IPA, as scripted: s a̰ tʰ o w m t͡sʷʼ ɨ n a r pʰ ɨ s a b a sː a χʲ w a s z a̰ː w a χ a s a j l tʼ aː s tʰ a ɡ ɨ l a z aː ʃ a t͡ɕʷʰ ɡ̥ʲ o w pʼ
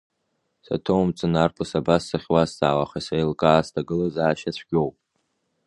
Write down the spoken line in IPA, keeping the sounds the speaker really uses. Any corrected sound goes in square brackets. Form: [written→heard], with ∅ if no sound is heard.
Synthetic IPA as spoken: s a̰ tʰ o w m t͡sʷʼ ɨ n a r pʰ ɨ s a b a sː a χʲ w a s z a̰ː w a χ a s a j l [tʼ→kʼ] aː s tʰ a ɡ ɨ l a z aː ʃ a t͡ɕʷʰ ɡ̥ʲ o w pʼ